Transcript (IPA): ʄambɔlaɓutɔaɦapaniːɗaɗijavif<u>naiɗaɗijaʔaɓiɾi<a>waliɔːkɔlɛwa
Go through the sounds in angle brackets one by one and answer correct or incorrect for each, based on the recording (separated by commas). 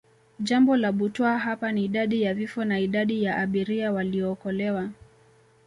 incorrect, correct